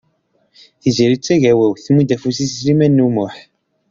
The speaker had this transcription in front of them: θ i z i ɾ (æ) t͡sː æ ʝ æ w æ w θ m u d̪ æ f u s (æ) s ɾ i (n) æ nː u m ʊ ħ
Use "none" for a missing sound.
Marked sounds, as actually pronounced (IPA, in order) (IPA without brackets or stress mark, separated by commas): i, i, m